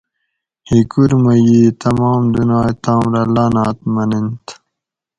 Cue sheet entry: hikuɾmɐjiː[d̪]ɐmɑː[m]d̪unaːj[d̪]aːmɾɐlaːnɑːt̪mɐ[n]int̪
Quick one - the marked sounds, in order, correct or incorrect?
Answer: incorrect: t̪, correct, incorrect: t̪, correct

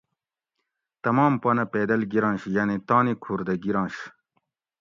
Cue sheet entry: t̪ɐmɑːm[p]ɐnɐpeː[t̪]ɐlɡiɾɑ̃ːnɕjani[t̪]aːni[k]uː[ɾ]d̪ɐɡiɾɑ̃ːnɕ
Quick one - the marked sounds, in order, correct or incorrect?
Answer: correct, incorrect: d̪, correct, incorrect: kʰ, correct

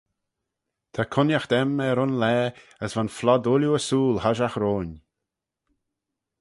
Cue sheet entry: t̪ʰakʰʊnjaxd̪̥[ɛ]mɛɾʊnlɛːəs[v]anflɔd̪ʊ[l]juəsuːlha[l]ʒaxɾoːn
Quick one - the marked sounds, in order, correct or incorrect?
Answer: correct, correct, correct, incorrect: none

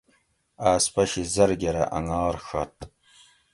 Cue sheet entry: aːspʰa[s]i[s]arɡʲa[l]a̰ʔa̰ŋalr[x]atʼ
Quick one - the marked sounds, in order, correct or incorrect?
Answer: incorrect: ʃ, incorrect: z, incorrect: ɾ, correct

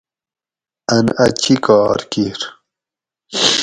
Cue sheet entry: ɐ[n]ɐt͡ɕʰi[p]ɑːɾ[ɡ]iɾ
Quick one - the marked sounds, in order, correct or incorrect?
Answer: correct, incorrect: k, incorrect: k

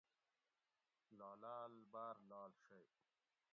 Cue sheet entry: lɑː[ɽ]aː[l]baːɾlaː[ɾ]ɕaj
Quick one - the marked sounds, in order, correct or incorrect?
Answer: incorrect: l, correct, incorrect: l

